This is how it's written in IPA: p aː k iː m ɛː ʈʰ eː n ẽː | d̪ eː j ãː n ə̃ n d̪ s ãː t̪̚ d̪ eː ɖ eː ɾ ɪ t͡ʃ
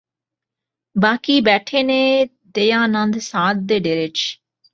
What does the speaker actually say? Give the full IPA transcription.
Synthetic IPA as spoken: b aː k iː b ɛː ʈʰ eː n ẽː | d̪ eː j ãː n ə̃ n d̪ s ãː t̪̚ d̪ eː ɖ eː ɾ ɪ t͡ʃ